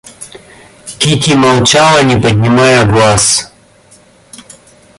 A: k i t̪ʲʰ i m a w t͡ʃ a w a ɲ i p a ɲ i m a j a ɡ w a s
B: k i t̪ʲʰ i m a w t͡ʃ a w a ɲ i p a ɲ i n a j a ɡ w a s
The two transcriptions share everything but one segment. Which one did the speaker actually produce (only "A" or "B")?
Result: A